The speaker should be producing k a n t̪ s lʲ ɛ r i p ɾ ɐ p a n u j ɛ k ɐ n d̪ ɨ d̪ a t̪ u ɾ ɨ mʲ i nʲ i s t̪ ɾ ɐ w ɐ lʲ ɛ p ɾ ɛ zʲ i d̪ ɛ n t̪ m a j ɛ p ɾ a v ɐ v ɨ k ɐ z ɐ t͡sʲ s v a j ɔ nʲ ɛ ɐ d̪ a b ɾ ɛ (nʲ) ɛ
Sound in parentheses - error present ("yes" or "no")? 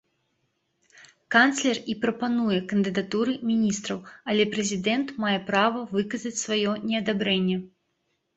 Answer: yes